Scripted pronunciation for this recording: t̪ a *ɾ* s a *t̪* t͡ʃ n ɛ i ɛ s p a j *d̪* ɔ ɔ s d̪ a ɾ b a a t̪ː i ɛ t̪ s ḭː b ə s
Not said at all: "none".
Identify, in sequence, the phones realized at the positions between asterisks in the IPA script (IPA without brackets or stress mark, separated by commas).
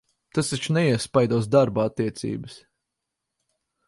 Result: none, none, d̪